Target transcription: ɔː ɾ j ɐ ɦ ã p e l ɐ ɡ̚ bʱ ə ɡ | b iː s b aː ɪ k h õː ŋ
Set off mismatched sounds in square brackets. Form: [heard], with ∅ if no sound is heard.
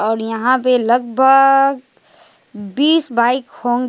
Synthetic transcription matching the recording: ɔː ɾ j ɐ ɦ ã p e l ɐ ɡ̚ bʱ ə ɡ | b iː s b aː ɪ k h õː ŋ

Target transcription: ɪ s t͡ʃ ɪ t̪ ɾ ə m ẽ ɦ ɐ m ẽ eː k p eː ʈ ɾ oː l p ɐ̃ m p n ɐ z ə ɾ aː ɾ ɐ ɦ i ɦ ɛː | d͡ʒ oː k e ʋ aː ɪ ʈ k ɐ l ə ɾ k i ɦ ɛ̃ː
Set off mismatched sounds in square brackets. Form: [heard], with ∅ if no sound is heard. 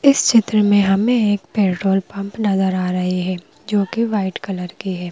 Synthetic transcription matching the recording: ɪ s t͡ʃ ɪ t̪ ɾ ə m ẽ ɦ ɐ m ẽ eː k p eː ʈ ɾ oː l p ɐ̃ m p n ɐ z ə ɾ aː ɾ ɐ ɦ i ɦ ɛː | d͡ʒ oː k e ʋ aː ɪ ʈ k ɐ l ə ɾ k i ɦ [ɛː]

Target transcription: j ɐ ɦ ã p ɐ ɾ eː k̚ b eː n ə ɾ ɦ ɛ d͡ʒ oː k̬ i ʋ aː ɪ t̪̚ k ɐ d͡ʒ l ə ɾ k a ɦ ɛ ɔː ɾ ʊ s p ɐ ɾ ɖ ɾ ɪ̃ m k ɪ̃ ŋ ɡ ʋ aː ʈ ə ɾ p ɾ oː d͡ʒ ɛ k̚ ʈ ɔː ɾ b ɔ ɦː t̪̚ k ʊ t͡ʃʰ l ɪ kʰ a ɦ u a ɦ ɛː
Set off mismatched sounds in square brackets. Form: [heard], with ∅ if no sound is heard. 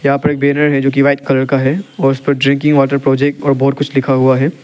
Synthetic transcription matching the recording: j ɐ ɦ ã p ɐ ɾ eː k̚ b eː n ə ɾ ɦ ɛ d͡ʒ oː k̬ i ʋ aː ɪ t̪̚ k ɐ [∅] l ə ɾ k a ɦ ɛ ɔː ɾ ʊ s p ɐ ɾ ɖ ɾ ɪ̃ [ŋ] k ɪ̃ ŋ ɡ ʋ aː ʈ ə ɾ p ɾ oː d͡ʒ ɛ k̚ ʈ ɔː ɾ b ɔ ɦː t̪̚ k ʊ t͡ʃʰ l ɪ kʰ a ɦ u a ɦ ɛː

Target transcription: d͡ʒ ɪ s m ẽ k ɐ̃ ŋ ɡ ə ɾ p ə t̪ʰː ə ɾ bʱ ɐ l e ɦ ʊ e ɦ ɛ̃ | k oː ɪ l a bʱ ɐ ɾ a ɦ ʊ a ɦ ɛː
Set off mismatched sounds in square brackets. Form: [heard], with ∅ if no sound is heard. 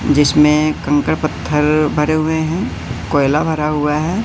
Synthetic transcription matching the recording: d͡ʒ ɪ s m ẽ k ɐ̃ ŋ [k] ə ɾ p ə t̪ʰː ə ɾ bʱ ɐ [ɾ] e ɦ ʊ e ɦ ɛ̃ | k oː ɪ l a bʱ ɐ ɾ a ɦ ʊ a ɦ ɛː

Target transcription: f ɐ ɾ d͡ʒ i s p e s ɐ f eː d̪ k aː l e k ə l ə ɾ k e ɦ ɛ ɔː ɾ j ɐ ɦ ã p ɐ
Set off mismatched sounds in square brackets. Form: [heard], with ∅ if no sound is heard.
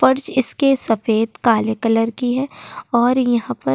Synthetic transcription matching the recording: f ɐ ɾ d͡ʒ [ɪ] s [k] e s ɐ f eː d̪ k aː l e k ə l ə ɾ k [i] ɦ ɛ ɔː ɾ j ɐ ɦ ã p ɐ

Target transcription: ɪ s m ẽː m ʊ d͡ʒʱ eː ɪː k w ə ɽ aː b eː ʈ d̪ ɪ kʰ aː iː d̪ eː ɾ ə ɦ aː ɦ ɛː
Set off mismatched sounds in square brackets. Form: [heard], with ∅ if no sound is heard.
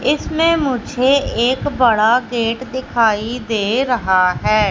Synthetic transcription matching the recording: ɪ s m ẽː m ʊ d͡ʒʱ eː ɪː k [b] ə ɽ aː [ɡ] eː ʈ d̪ ɪ kʰ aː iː d̪ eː ɾ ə ɦ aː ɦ ɛː

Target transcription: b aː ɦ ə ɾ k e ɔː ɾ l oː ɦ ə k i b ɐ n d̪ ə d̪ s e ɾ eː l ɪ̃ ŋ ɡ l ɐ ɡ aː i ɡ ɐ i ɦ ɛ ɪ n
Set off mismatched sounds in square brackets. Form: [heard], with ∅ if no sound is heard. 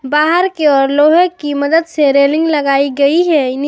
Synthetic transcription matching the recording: b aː ɦ ə ɾ k e ɔː ɾ l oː ɦ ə k i [m] ɐ [∅] d̪ ə d̪ s e ɾ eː l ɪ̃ ŋ ɡ l ɐ ɡ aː i ɡ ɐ i ɦ ɛ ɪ n

